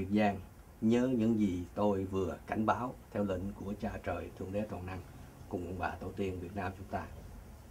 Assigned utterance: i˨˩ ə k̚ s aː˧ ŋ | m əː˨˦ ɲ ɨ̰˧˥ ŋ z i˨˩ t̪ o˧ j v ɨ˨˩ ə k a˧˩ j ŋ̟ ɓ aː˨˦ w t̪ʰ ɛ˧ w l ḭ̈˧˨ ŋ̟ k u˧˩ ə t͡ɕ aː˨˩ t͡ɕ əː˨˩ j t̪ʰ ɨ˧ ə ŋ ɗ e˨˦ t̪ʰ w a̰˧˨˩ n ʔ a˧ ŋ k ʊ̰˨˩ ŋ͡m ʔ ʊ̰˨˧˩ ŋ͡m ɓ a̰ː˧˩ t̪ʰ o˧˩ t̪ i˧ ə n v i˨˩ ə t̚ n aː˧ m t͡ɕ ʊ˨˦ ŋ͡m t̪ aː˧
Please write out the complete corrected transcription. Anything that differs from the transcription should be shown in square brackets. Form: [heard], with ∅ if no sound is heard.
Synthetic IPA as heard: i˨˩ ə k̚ [z] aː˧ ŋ | [ɲ] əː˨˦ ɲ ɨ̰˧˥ ŋ z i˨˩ t̪ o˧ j v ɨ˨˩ ə k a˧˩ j ŋ̟ ɓ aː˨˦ w t̪ʰ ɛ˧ w l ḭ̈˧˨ ŋ̟ k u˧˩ ə t͡ɕ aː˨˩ t͡ɕ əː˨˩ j t̪ʰ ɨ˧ ə ŋ ɗ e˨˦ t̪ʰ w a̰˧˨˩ n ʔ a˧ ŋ k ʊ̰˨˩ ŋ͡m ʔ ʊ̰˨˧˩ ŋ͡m ɓ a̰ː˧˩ [t̪] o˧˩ t̪ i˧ ə n v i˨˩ ə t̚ n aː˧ m t͡ɕ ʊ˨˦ ŋ͡m t̪ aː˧